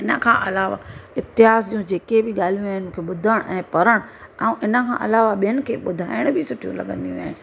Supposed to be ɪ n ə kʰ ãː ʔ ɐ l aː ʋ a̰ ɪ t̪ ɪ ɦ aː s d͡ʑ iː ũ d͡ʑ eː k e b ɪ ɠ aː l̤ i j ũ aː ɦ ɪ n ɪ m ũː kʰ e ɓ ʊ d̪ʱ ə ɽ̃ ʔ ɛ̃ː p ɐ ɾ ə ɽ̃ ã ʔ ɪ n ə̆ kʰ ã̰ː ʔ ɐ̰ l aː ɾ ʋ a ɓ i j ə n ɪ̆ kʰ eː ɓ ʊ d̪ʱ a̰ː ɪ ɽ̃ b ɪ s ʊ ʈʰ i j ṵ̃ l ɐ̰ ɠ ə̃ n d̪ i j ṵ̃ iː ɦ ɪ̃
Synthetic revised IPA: ɪ n ə kʰ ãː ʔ ɐ l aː ʋ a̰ ɪ t̪ ɪ ɦ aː s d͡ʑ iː ũ d͡ʑ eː k e b ɪ ɠ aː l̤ i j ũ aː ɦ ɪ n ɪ m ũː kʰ e ɓ ʊ d̪ʱ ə ɽ̃ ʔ ɛ̃ː p ɐ ɾ ə ɽ̃ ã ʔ ɪ n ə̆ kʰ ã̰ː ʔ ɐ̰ l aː ʋ a ɓ i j ə n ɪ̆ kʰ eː ɓ ʊ d̪ʱ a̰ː ɪ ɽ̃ b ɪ s ʊ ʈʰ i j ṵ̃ l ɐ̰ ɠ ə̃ n d̪ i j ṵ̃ aː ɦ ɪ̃